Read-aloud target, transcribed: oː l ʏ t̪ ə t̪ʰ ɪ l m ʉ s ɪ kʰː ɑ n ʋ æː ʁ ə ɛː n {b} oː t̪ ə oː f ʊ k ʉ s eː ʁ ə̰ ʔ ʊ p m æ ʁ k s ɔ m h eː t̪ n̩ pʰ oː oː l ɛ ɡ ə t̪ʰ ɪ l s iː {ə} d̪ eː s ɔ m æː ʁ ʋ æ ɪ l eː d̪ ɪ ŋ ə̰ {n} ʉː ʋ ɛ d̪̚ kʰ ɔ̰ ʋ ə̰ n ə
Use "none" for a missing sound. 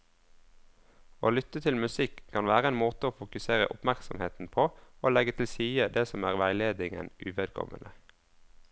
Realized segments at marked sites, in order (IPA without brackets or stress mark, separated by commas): m, ə, n